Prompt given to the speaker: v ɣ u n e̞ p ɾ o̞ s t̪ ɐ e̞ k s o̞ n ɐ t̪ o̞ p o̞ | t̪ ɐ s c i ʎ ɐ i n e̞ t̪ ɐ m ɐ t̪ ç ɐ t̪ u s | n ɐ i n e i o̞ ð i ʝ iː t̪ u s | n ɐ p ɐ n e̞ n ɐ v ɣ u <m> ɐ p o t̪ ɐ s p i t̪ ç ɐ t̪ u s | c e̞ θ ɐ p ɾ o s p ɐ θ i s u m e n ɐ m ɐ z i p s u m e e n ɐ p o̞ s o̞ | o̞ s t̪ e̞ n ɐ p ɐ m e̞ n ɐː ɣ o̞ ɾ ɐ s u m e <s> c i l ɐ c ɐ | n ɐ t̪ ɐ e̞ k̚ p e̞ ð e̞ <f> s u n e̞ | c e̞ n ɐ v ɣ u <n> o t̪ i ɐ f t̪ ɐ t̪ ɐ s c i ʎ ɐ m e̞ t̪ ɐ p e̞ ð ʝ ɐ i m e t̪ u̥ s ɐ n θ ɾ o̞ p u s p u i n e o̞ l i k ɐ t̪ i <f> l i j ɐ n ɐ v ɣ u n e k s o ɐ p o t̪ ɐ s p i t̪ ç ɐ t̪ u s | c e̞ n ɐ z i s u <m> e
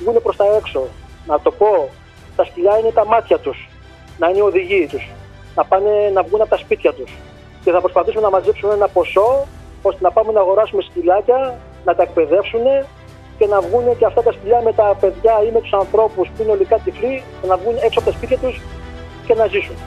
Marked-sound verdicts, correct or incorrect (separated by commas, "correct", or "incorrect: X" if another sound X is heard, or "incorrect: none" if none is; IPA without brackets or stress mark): incorrect: n, correct, correct, correct, correct, incorrect: n